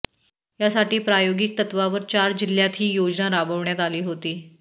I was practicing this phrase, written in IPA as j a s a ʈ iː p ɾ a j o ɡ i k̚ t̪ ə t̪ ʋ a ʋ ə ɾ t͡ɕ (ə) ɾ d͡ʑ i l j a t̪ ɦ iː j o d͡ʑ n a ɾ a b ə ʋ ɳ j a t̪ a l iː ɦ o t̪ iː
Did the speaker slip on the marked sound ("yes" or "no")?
yes